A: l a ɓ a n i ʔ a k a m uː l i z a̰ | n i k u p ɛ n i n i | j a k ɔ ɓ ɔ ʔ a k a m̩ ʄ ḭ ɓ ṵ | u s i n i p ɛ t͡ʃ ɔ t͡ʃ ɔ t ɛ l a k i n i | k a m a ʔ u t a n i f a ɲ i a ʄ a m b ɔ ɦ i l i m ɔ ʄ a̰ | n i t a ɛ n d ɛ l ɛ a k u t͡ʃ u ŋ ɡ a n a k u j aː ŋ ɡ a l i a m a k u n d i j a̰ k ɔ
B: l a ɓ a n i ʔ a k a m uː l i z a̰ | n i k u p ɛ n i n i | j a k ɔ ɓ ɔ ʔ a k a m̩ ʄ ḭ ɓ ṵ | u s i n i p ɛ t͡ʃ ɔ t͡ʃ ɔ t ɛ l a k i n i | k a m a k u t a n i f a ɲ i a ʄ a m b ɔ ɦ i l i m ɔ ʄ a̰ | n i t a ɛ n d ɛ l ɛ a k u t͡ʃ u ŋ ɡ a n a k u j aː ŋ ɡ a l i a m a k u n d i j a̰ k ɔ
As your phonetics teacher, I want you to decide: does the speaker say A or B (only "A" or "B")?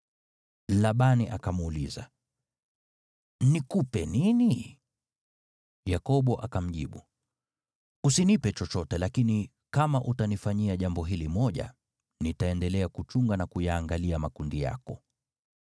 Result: A